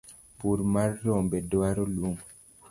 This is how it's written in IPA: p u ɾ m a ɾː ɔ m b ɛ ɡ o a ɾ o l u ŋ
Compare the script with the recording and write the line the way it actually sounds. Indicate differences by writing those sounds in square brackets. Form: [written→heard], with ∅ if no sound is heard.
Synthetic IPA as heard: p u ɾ m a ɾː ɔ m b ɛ [ɡ→d] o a ɾ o l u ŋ